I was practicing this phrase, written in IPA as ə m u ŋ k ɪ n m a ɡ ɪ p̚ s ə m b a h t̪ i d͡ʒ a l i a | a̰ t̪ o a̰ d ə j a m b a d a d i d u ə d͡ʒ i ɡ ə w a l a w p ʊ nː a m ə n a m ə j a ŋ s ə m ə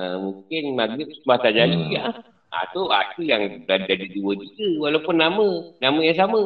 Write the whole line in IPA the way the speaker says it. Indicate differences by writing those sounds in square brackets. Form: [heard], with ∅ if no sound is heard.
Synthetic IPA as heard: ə m u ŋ k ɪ n m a ɡ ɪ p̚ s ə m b a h t̪ [a] d͡ʒ a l i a | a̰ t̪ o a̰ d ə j a [ŋ] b a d a d i d u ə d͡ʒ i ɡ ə w a l a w p ʊ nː a m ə n a m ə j a ŋ s [a] m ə